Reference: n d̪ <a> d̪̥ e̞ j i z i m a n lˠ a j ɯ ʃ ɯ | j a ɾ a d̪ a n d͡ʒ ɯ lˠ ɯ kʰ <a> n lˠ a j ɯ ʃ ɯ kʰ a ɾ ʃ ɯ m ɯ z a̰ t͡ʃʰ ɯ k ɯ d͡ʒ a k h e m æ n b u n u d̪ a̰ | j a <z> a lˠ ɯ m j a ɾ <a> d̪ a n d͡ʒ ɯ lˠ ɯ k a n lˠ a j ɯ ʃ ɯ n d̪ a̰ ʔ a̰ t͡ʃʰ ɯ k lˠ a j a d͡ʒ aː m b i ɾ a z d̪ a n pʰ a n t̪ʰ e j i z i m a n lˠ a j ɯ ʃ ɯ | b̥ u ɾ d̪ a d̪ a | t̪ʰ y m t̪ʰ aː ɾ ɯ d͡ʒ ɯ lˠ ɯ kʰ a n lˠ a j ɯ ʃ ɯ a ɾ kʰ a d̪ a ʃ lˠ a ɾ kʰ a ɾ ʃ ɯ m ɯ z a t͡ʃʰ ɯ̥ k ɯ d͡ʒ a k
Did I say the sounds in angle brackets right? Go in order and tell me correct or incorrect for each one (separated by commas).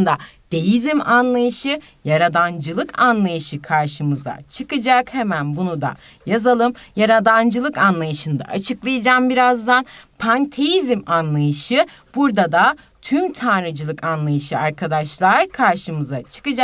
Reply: correct, correct, correct, correct